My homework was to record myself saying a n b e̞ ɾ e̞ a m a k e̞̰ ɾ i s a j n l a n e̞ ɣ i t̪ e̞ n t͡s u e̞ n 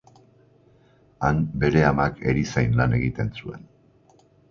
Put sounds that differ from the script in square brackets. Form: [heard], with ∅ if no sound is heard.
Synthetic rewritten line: a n b e̞ ɾ e̞ a m a k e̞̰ ɾ i s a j n l a n e̞ ɣ i t̪ e̞ n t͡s u e̞ n